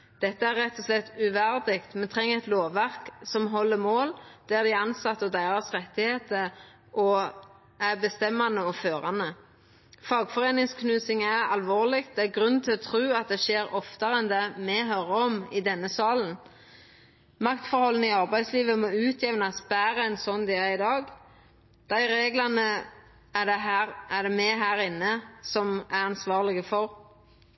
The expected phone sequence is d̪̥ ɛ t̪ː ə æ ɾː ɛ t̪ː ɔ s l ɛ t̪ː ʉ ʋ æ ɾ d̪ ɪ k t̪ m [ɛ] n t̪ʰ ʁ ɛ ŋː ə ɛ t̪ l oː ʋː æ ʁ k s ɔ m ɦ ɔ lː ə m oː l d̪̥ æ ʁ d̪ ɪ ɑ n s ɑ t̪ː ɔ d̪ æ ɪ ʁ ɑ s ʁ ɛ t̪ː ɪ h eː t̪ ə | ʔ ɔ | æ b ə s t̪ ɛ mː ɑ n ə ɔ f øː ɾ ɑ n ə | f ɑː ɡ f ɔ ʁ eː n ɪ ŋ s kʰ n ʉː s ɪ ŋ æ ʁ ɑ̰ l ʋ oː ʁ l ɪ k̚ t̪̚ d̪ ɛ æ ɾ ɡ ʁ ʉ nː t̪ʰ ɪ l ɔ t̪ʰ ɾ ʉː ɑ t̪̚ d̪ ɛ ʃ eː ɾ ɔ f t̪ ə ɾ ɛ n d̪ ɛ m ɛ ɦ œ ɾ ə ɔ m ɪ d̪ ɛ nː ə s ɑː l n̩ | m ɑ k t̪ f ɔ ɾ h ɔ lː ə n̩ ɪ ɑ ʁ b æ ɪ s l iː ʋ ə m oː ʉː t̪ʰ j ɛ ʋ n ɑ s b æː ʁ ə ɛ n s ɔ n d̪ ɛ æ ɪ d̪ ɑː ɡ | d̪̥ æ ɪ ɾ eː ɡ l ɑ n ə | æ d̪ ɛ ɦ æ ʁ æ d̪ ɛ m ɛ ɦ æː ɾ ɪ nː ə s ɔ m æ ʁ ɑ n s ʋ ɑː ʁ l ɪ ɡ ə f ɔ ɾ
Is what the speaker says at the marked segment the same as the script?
yes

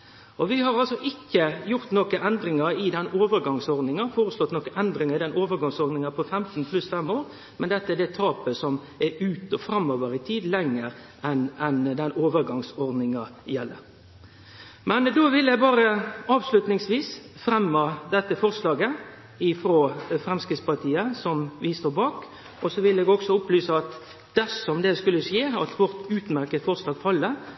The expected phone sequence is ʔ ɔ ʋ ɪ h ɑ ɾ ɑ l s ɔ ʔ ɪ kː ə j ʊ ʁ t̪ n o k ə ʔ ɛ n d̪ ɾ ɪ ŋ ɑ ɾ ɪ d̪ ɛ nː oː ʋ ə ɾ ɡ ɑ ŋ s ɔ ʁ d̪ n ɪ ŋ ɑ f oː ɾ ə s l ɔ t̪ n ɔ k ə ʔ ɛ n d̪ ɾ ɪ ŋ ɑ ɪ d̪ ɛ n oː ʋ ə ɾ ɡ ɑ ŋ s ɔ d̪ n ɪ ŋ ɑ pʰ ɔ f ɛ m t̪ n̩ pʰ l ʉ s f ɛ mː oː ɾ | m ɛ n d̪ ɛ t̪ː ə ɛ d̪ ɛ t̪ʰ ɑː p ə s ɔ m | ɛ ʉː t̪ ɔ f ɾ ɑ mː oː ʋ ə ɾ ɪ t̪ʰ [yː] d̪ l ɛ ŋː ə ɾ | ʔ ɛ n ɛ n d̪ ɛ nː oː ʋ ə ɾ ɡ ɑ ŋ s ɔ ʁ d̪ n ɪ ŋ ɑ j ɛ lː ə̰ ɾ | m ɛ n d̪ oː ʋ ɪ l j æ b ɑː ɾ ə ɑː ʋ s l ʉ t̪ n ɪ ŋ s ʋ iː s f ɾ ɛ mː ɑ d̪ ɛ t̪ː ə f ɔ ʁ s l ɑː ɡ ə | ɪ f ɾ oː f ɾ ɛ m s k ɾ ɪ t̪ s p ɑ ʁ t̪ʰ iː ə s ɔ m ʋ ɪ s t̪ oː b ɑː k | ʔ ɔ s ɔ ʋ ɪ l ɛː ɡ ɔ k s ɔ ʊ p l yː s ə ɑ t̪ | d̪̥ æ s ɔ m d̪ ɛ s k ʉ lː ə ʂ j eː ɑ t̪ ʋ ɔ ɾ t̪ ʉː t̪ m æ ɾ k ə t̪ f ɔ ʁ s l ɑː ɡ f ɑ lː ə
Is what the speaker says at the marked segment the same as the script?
no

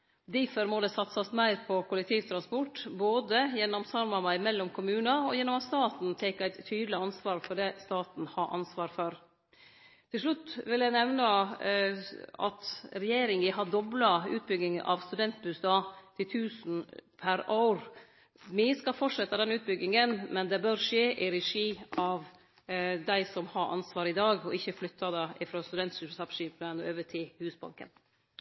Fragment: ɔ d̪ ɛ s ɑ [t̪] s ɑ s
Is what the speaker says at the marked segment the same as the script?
yes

